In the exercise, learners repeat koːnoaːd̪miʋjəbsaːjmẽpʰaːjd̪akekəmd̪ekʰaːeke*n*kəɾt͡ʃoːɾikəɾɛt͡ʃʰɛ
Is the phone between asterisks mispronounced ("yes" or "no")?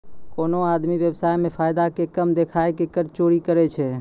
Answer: yes